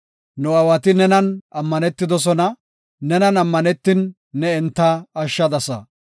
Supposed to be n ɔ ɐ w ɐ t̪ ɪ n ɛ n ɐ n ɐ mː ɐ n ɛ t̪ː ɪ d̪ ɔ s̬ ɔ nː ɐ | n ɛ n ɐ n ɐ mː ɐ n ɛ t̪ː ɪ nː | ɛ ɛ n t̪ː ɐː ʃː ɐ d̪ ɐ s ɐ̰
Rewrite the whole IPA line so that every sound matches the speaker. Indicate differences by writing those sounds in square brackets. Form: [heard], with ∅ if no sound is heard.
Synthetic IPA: n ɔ ɐ w ɐ t̪ ɪ n ɛ n ɐ n ɐ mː ɐ n ɛ t̪ː ɪ d̪ ɔ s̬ ɔ [n] ɐ | n ɛ n ɐ n ɐ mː ɐ n ɛ t̪ː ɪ nː | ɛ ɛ n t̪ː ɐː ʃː ɐ d̪ ɐ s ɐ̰